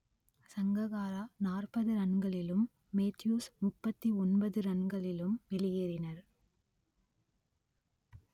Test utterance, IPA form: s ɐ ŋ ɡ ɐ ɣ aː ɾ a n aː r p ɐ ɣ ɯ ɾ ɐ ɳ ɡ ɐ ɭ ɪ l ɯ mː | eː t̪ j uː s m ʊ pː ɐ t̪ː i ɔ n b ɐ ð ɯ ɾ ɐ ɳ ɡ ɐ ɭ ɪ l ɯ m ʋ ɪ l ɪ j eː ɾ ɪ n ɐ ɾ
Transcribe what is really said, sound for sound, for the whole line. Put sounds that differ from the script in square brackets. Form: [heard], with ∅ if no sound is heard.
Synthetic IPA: s ɐ ŋ ɡ ɐ ɣ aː ɾ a n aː r p ɐ [ð] ɯ ɾ ɐ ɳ ɡ ɐ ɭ ɪ l ɯ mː | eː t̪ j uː s m ʊ pː ɐ t̪ː i ɔ n b ɐ ð ɯ ɾ ɐ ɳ ɡ ɐ ɭ ɪ l ɯ m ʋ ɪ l ɪ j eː ɾ ɪ n ɐ ɾ